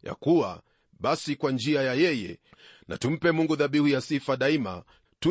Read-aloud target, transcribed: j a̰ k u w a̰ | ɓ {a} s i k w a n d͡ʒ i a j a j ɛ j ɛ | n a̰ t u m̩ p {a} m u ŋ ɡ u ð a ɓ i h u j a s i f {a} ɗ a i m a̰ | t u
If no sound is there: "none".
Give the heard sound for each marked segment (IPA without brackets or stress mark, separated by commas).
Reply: a, ɛ, a